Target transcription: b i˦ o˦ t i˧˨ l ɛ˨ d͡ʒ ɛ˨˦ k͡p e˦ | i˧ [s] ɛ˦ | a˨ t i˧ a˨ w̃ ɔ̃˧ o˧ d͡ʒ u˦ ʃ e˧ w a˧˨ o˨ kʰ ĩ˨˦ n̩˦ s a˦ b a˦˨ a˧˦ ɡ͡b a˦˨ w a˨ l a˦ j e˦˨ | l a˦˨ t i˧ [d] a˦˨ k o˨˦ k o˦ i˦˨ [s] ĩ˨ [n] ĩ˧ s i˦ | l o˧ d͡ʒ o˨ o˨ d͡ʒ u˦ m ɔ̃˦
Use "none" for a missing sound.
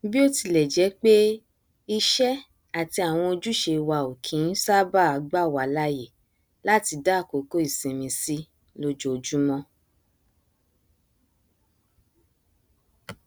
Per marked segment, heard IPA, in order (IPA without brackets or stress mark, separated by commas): ʃ, d, s, m